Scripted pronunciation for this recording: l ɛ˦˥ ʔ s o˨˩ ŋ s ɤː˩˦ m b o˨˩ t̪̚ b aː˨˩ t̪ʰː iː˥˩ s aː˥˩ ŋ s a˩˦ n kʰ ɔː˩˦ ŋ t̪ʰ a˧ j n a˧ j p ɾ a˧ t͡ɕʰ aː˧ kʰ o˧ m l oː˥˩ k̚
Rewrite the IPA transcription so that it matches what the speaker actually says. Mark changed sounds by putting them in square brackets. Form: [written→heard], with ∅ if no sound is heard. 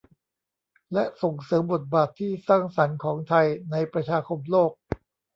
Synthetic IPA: l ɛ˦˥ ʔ s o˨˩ ŋ s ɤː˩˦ m b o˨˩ t̪̚ b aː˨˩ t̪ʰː iː˥˩ s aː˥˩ ŋ s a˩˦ n kʰ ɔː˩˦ ŋ t̪ʰ a˧ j n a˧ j p ɾ a˧ t͡ɕʰ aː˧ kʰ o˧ m l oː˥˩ k̚

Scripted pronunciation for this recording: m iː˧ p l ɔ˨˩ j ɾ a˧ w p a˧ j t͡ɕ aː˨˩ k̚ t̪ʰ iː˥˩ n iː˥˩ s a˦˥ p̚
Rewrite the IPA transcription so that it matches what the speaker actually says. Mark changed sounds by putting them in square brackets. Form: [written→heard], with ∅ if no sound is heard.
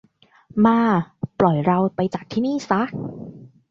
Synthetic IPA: m [iː˧→aː˧] p l ɔ˨˩ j ɾ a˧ w p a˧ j t͡ɕ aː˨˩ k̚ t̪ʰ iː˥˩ n iː˥˩ s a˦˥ [p̚→k̚]

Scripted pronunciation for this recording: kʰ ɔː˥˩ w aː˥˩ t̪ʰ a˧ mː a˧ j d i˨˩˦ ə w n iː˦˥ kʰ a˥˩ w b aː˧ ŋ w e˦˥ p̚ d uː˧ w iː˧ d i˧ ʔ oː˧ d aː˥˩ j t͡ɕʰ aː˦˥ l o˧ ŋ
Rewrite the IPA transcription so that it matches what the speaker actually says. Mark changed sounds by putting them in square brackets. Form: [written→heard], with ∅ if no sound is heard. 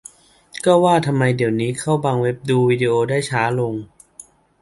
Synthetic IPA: [kʰ→k] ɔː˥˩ w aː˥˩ t̪ʰ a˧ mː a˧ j d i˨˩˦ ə w n iː˦˥ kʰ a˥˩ w b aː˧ ŋ w e˦˥ p̚ d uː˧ w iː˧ d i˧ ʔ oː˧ d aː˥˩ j t͡ɕʰ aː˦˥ l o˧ ŋ

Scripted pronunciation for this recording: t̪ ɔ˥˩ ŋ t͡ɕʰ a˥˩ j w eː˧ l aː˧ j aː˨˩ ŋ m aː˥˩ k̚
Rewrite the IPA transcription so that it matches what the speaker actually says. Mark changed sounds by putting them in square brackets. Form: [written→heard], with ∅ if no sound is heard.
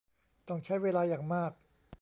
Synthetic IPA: t̪ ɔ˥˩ ŋ t͡ɕʰ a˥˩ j w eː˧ l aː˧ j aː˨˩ ŋ m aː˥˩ k̚

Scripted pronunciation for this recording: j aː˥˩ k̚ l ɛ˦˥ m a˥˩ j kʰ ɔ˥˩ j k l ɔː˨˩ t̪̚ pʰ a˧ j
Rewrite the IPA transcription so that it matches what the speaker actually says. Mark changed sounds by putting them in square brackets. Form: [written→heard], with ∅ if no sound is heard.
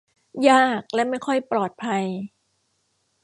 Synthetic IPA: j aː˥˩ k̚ l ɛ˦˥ m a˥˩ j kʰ ɔ˥˩ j [k→p] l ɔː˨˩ t̪̚ pʰ a˧ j

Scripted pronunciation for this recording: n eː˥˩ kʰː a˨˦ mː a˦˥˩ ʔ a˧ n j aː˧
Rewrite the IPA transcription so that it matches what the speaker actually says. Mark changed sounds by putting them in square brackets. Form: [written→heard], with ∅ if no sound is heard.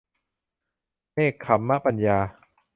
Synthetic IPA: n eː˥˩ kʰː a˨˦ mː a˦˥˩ [ʔ→p] a˧ n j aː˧

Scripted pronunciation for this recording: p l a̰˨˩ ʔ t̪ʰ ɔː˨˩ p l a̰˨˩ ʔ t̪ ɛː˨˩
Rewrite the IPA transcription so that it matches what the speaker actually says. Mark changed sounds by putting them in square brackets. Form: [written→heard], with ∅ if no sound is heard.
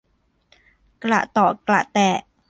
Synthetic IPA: [p→k] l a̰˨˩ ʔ [t̪ʰ→t̪] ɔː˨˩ [p→k] l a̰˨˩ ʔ t̪ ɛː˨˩

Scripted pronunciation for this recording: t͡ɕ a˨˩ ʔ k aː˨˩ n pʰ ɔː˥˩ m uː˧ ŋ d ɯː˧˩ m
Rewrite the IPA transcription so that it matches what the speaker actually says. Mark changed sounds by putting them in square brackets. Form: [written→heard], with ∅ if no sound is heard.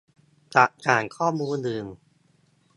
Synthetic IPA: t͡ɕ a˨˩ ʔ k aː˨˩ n [pʰ→kʰ] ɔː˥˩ m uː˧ [ŋ→n] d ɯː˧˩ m

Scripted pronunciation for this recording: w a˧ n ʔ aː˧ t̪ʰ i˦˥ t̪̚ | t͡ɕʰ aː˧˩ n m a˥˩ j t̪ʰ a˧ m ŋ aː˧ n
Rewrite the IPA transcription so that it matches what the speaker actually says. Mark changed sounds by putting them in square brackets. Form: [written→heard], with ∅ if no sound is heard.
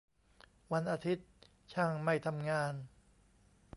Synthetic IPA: w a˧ n ʔ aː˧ t̪ʰ i˦˥ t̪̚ | t͡ɕʰ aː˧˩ [n→ŋ] m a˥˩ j t̪ʰ a˧ m ŋ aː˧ n

